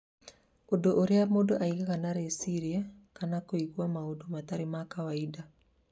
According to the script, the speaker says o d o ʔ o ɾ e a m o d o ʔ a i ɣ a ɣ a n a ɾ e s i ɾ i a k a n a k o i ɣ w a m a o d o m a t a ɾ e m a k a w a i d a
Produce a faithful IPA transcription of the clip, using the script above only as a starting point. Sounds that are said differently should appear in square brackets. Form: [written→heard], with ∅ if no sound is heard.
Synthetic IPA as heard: o d o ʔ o ɾ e a m o d o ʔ a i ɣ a ɣ a n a ɾ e s i ɾ i a k a n a k o i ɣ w a m a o d o m a t a ɾ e m a k a w a i d a

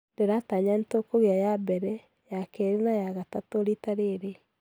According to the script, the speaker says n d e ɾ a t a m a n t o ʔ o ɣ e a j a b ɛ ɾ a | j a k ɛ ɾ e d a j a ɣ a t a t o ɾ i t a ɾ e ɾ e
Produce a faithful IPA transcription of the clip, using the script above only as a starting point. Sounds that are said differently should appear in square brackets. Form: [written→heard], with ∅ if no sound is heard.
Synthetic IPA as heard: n d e ɾ a t a [m→ɲ] a n t o [ʔ→k] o ɣ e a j a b ɛ ɾ [a→ɛ] | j a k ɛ ɾ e [d→n] a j a ɣ a t a t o ɾ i t a ɾ e ɾ e

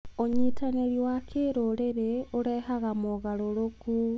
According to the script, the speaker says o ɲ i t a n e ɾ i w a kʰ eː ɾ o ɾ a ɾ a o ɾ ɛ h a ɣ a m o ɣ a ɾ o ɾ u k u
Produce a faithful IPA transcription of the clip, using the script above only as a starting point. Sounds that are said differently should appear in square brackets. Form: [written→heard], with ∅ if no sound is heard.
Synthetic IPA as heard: o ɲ i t a n e ɾ i w a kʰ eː ɾ o ɾ [a→e] ɾ [a→e] o ɾ ɛ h a ɣ a m o ɣ a ɾ o ɾ [u→o] k u

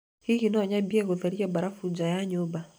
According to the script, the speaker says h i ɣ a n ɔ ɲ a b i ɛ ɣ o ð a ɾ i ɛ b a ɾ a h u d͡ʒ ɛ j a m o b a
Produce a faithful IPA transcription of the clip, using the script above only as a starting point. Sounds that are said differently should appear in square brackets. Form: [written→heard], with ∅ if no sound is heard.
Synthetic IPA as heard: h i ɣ [a→i] n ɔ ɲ a b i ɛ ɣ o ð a ɾ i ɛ b a ɾ a [h→f] u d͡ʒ [ɛ→a] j a [m→ɲ] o b a

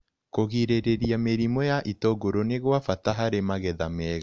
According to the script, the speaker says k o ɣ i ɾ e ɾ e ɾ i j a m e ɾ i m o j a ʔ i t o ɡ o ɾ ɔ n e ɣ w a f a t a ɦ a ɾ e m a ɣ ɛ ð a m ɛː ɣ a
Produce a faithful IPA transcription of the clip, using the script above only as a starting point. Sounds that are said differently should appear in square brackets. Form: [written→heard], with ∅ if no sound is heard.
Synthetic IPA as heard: k o ɣ i ɾ e ɾ e ɾ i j a m e ɾ i m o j a ʔ i t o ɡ o ɾ [ɔ→o] n e ɣ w a f a t a ɦ a ɾ e m a ɣ ɛ ð a m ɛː ɣ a

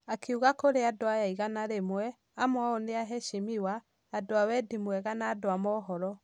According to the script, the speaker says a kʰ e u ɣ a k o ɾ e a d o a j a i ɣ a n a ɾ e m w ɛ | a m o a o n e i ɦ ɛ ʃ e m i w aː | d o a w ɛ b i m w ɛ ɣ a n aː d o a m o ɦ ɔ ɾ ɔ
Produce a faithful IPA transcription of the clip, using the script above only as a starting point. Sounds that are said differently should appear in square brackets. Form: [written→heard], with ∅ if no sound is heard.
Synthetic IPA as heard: a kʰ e u ɣ a k o ɾ e a d o a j a i ɣ a n a ɾ e m w ɛ | a m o a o n e [i→a] ɦ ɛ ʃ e m i w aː | d o a w ɛ [b→d] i m w ɛ ɣ a n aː d o a m [o→ɔ] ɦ ɔ ɾ ɔ

